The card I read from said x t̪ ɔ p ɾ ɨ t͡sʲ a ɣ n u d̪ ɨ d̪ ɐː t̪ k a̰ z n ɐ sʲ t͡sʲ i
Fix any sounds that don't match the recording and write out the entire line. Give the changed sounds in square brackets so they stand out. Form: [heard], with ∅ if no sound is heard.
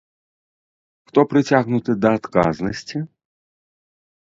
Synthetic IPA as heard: x t̪ ɔ p ɾ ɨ t͡sʲ a ɣ n u [t̪] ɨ d̪ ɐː t̪ k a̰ z n ɐ sʲ t͡sʲ i